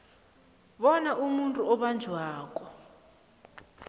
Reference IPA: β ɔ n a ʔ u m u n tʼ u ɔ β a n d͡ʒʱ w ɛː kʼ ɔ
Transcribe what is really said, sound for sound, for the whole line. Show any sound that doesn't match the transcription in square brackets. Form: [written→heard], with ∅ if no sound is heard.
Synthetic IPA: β ɔ n a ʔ u m u n tʼ u ɔ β a n d͡ʒʱ w [ɛː→aː] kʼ ɔ